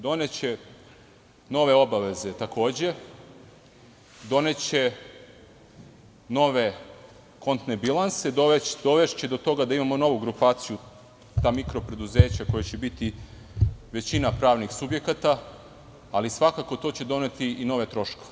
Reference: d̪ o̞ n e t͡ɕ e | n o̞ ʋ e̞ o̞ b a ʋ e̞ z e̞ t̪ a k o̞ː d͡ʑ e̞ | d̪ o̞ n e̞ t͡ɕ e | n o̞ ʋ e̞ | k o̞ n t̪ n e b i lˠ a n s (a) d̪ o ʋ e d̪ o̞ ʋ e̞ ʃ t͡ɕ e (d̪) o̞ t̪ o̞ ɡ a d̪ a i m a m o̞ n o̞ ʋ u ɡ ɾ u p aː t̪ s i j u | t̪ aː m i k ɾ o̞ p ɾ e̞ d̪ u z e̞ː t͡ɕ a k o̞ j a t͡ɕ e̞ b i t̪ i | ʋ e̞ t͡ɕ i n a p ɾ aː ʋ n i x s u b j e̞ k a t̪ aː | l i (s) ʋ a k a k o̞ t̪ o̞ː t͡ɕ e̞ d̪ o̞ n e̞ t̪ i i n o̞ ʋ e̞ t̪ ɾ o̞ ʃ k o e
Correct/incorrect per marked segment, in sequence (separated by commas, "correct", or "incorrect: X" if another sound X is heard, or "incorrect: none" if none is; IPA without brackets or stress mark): incorrect: e, correct, correct